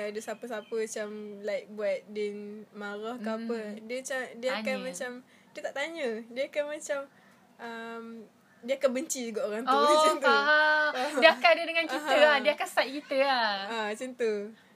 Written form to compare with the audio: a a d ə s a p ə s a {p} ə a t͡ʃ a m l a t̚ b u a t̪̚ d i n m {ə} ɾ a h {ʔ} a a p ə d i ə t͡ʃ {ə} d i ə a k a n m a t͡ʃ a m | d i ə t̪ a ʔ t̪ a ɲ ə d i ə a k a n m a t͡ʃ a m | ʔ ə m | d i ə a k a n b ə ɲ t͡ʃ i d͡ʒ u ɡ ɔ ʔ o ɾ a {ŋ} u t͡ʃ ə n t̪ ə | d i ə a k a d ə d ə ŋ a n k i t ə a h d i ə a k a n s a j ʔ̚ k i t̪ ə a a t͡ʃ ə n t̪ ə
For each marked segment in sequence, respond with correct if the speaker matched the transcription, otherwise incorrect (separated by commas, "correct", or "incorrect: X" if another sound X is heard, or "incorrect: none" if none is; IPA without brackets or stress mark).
correct, incorrect: a, incorrect: k, incorrect: a, correct